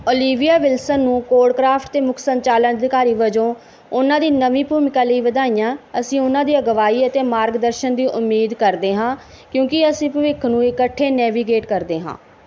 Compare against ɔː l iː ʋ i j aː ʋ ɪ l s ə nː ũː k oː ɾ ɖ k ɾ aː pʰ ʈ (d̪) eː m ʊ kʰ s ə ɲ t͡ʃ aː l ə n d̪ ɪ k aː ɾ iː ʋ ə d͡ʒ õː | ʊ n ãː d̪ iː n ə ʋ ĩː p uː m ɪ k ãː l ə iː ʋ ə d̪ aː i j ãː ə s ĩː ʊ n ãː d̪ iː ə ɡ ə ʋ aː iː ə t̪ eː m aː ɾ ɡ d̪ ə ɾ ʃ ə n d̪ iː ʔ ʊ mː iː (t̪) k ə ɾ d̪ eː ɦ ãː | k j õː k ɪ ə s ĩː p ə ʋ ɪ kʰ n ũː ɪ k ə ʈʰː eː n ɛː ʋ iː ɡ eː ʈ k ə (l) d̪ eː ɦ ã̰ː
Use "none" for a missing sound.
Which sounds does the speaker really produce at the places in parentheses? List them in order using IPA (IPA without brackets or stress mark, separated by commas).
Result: t̪, d̪, ɾ